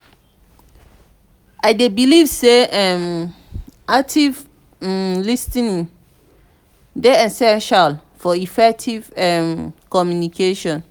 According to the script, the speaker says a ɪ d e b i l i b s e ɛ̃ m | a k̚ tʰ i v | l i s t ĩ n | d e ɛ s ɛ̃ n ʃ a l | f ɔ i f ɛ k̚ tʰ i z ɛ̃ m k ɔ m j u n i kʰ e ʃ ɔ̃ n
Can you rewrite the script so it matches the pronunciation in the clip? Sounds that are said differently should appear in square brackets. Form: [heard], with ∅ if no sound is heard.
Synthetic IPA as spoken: a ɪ d e b i l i [v] s e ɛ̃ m | a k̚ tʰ i v | l i s t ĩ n | d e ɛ s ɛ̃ n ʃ a l | f ɔ i f ɛ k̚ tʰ i [v] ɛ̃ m k ɔ m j u n i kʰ e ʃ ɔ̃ n